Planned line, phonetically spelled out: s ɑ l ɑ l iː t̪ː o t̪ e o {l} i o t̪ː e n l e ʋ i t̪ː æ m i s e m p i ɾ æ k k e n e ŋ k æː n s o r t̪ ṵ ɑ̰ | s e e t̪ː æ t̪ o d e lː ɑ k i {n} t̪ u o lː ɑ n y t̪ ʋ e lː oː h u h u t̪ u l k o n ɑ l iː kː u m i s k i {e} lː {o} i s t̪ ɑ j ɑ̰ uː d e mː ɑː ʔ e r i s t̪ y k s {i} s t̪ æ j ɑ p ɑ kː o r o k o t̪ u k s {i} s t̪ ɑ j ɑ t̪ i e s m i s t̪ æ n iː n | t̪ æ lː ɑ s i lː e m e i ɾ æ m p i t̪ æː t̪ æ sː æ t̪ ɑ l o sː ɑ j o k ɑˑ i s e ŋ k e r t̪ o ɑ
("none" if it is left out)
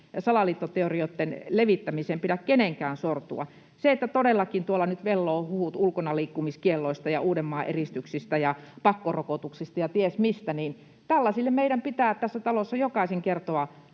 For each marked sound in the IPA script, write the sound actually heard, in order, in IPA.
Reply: r, n, e, o, i, i

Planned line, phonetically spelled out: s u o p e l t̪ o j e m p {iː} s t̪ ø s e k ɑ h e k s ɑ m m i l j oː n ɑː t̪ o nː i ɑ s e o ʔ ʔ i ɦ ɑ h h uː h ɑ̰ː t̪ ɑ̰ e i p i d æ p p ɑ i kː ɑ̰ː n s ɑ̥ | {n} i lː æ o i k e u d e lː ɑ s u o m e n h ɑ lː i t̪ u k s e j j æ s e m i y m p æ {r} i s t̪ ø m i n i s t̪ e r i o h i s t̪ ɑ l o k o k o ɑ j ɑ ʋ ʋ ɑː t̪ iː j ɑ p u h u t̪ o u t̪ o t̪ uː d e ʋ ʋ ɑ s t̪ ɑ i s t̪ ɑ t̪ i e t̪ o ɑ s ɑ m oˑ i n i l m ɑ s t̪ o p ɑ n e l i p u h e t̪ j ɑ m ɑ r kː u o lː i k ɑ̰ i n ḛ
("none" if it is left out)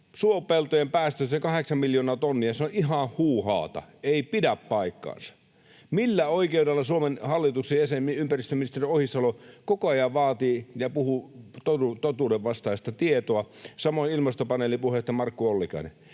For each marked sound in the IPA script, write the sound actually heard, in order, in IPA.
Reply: æː, m, r

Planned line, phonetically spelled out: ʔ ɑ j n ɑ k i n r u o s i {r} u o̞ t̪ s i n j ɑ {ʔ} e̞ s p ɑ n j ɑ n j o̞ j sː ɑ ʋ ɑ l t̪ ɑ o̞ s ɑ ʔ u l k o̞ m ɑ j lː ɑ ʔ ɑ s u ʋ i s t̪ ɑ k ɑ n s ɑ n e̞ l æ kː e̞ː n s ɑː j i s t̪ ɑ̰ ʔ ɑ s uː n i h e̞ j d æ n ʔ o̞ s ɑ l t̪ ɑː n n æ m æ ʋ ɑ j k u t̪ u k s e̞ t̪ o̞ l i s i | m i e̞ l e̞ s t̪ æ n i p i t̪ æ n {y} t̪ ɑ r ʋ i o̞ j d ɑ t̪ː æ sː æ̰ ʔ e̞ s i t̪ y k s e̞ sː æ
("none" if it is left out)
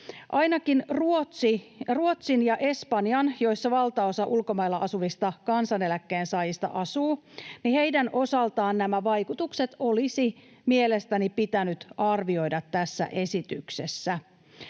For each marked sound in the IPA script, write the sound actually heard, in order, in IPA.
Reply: r, ʔ, y

